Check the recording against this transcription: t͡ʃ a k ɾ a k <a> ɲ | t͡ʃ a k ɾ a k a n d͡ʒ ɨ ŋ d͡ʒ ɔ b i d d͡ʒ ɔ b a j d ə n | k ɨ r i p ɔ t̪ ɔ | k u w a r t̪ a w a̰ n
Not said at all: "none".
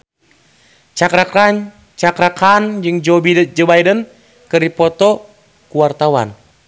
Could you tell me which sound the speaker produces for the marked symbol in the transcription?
a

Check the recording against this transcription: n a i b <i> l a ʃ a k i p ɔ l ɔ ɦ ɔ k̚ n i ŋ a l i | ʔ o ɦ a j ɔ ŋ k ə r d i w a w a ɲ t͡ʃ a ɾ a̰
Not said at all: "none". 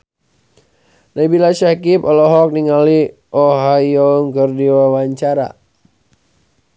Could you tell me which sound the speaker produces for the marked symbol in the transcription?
i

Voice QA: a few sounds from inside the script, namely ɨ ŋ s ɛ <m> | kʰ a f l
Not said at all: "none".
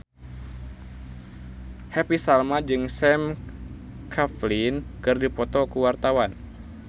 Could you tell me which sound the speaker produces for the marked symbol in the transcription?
m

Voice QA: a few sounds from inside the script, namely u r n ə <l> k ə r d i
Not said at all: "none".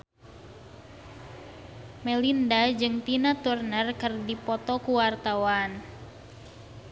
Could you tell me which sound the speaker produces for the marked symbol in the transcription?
r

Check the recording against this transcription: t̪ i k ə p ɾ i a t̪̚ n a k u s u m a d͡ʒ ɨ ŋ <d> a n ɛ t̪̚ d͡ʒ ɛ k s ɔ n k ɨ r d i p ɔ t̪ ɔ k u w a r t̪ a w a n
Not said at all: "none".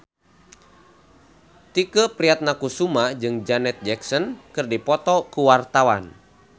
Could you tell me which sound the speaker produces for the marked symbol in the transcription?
d͡ʒ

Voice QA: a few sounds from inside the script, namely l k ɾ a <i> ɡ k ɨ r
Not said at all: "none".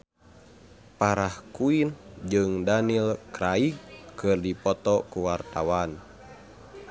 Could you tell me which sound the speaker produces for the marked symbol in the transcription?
i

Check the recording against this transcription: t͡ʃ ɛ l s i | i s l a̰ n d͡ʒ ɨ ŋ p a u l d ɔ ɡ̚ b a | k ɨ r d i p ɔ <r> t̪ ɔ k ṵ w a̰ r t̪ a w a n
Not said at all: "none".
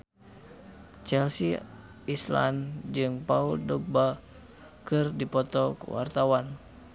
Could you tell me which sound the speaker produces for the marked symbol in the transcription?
none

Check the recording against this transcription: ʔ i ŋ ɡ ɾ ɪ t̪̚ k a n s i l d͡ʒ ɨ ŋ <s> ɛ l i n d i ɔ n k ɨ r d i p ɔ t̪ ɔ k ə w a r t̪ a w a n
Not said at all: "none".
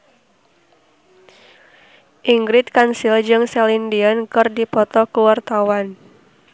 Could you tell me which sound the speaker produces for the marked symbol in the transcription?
s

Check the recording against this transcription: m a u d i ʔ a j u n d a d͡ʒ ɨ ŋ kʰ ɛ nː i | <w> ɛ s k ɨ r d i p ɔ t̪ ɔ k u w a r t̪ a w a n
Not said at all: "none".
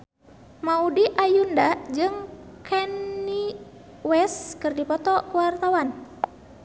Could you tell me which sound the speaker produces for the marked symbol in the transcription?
w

